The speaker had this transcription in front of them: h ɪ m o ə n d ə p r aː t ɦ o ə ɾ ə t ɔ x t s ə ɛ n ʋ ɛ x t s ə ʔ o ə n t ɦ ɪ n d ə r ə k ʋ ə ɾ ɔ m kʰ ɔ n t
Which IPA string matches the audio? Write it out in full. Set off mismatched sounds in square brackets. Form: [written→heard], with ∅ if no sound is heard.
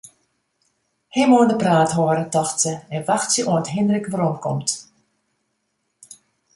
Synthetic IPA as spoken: h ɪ m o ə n d ə p r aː t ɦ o ə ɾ ə t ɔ x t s ə ɛ n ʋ [ɛ→a] x t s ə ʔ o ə n t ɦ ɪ n d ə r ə k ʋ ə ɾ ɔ m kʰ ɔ [n→m] t